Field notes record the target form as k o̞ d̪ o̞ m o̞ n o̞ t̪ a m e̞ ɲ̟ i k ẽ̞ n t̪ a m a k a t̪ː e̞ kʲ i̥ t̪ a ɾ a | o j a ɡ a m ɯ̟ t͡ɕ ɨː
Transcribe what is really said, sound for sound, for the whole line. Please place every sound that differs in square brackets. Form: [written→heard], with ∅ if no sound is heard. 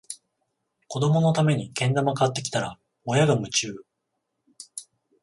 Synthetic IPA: k o̞ d̪ o̞ m o̞ n o̞ t̪ a m e̞ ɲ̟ i k ẽ̞ n [t̪→d̪] a m a k a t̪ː e̞ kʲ i̥ t̪ a ɾ a | o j a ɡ a m ɯ̟ t͡ɕ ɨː